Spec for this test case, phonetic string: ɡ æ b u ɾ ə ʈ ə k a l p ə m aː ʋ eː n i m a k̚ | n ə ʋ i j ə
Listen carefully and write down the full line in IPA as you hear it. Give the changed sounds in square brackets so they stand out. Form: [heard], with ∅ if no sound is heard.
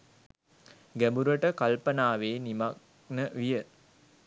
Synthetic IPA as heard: ɡ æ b u ɾ ə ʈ ə k a l p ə [n] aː ʋ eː n i m a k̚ | n ə ʋ i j ə